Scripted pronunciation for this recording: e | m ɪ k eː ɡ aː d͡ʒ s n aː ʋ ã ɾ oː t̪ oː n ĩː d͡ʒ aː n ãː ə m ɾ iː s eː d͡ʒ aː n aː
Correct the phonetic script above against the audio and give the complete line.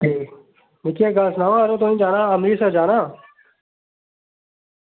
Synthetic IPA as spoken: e | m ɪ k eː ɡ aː s n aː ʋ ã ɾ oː t̪ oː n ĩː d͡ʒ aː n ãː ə m ɾ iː s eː d͡ʒ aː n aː